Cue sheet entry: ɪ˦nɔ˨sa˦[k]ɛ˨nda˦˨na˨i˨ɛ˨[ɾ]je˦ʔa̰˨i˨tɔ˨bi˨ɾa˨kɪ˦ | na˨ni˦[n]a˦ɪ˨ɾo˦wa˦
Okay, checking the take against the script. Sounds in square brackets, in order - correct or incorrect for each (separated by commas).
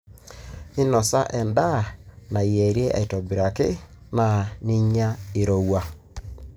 incorrect, correct, incorrect